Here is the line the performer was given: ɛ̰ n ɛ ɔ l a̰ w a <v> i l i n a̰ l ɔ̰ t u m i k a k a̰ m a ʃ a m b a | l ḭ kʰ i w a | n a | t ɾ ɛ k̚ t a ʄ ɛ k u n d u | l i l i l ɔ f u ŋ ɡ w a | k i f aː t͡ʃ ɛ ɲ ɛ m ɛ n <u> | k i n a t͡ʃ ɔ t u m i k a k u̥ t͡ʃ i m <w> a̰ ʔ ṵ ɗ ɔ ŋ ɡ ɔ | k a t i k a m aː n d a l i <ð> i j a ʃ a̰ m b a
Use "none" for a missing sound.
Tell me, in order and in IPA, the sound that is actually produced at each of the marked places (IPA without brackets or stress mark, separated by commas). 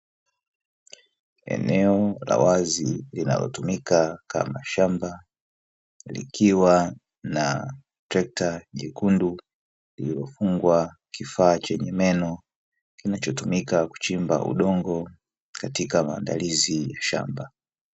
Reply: z, ɔ, b, z